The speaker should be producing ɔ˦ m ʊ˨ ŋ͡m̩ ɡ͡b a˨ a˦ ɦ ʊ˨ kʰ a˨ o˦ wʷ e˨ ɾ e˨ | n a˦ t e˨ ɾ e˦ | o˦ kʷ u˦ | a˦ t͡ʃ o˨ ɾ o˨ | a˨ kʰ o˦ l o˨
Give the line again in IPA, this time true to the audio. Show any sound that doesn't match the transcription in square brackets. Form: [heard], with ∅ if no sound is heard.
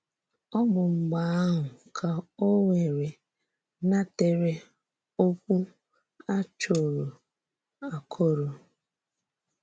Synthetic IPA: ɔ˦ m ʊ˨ ŋ͡m̩ ɡ͡b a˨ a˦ ɦ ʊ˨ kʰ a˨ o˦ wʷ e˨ ɾ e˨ | n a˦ t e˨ ɾ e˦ | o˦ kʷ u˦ | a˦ t͡ʃ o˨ ɾ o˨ | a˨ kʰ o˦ [ɾ] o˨